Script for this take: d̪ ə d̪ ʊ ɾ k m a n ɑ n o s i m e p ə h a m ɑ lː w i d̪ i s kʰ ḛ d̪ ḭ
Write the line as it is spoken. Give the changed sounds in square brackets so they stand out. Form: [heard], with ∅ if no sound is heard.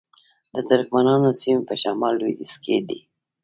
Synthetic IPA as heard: d̪ ə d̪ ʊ ɾ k m a n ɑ n o s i m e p ə [ʃ] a m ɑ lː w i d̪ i s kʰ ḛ d̪ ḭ